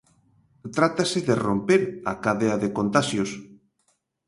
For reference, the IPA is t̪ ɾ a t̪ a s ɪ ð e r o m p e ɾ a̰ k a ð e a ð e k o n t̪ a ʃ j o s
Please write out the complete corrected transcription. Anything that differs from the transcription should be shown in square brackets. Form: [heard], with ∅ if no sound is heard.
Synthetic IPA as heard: t̪ ɾ a t̪ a s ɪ ð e r o m p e ɾ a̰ k a ð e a ð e k o n t̪ a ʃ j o s